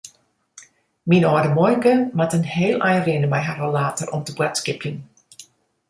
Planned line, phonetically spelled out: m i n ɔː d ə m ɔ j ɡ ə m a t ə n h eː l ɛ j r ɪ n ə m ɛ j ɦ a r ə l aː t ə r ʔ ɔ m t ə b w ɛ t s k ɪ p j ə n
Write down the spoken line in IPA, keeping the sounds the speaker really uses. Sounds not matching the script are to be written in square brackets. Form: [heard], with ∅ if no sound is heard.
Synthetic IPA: m i n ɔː d ə m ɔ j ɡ ə m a t ə n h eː l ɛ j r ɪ n ə m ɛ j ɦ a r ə l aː t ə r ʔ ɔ m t ə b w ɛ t s k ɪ p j ə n